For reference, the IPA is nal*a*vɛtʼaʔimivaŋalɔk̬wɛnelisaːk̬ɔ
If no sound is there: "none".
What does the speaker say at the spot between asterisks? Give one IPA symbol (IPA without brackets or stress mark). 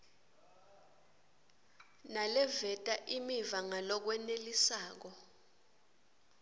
ɛ